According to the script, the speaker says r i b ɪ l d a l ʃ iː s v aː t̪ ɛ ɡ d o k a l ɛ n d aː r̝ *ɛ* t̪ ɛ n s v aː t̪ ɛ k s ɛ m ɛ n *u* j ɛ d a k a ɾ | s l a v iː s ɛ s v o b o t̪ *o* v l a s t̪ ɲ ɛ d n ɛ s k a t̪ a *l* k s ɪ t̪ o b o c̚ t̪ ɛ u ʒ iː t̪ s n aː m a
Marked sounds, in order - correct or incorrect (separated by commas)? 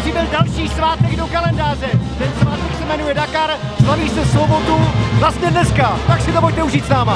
correct, correct, incorrect, incorrect